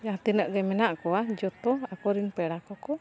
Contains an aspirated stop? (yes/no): no